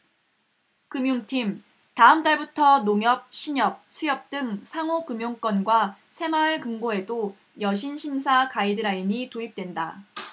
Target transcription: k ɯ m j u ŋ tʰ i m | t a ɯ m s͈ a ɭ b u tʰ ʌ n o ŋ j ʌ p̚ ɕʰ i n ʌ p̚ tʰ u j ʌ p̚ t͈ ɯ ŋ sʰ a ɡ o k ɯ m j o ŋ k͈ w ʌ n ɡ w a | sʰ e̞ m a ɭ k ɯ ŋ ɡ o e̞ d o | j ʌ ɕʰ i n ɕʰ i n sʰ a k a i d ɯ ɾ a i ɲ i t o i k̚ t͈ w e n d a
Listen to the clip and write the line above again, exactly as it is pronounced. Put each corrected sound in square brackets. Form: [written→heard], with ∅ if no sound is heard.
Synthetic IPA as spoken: k ɯ m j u ŋ tʰ i m | t a ɯ m [s͈→t͈] a ɭ b u tʰ ʌ n o ŋ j ʌ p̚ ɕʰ i [n→ɲ] ʌ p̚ [tʰ→sʰ] u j ʌ p̚ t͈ ɯ ŋ sʰ a [ɡ→ŋ] o k ɯ m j o ŋ k͈ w ʌ n ɡ w a | sʰ e̞ m a ɭ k ɯ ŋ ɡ o e̞ d o | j ʌ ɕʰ i n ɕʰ i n sʰ a k a i d ɯ ɾ a i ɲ i t o i [k̚→p̚] t͈ w e n d a